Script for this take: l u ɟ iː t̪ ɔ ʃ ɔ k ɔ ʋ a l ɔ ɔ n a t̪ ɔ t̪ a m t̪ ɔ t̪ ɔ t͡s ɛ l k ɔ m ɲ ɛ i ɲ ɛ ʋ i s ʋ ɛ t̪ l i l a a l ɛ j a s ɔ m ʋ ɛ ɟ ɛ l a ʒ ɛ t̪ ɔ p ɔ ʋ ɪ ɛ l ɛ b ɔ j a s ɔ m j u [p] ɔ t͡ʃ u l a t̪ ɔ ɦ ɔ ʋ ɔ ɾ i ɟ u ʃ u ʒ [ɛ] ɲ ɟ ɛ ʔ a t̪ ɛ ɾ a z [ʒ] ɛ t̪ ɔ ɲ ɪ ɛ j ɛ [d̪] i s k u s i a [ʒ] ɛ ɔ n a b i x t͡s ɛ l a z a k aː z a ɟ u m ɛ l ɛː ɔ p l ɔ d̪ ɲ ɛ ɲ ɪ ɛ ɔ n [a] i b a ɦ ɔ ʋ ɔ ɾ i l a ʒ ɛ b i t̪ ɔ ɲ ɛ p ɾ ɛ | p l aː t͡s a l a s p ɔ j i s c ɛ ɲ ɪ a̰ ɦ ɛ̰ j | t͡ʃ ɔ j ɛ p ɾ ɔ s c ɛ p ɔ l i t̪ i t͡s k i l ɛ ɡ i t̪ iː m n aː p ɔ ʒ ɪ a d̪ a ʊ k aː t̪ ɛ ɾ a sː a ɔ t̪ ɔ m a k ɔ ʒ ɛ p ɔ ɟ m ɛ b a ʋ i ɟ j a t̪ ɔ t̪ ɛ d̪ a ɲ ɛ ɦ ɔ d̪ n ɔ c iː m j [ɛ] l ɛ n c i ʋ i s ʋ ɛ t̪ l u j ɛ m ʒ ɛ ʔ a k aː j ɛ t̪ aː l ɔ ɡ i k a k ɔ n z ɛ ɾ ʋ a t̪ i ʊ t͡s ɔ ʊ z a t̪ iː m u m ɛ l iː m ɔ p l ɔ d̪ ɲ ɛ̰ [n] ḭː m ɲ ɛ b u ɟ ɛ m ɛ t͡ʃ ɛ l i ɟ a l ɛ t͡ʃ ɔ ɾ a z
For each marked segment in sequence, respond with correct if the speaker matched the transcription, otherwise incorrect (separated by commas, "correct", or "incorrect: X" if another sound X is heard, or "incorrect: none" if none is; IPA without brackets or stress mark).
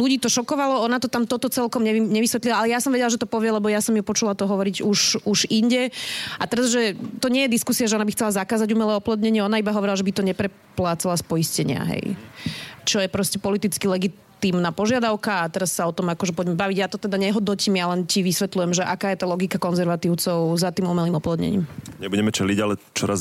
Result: correct, incorrect: i, correct, correct, correct, correct, incorrect: a, incorrect: ɲ